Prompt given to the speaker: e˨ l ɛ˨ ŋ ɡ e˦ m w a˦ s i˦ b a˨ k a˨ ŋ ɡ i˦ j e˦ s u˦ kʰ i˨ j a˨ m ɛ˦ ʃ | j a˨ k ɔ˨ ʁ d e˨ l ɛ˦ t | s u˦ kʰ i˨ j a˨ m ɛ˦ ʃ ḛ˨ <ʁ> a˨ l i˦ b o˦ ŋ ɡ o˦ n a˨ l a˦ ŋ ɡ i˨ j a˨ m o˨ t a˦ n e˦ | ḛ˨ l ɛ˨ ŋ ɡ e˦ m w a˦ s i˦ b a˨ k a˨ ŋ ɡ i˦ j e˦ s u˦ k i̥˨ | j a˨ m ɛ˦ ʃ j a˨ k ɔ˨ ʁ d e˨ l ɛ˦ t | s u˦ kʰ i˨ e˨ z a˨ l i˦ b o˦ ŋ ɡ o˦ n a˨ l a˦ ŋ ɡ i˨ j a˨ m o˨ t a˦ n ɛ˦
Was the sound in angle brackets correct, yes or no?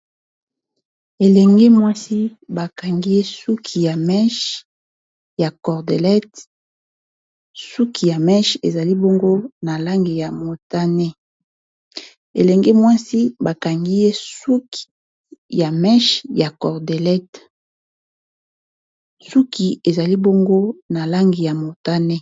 no